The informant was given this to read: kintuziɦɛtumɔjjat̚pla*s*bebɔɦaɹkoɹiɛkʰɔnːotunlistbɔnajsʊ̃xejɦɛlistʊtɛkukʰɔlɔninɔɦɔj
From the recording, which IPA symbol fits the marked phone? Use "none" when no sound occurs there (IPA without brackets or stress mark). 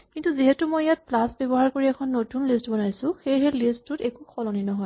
s